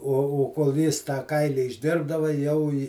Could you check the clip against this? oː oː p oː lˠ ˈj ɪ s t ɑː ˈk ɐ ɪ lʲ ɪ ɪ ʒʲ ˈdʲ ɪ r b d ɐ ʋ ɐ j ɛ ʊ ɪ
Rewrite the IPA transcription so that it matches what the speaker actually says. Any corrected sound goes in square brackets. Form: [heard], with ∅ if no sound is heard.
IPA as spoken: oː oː [k] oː lˠ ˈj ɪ s t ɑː ˈk ɐ ɪ lʲ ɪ ɪ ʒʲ ˈdʲ ɪ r b d ɐ ʋ ɐ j ɛ ʊ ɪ